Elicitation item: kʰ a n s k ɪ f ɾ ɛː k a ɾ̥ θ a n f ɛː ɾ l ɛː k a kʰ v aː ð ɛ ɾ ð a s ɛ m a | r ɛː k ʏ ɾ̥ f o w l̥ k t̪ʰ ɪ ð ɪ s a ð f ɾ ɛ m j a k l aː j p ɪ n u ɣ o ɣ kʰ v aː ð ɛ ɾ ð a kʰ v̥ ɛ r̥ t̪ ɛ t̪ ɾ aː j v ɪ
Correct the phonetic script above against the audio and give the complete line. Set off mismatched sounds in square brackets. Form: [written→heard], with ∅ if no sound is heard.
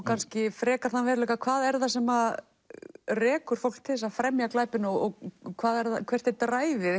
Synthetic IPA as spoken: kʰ a n s [k→c] ɪ f ɾ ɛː k a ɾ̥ θ a n [f→v] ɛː ɾ l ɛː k a kʰ v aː ð ɛ ɾ ð a s ɛ m a | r ɛː k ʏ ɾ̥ f o w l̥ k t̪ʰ ɪ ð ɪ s a ð f ɾ ɛ m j a k l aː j p ɪ n [u→ɔ] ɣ [o→ɔ] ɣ kʰ v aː ð ɛ ɾ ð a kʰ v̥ ɛ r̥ t̪ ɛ t̪ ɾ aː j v ɪ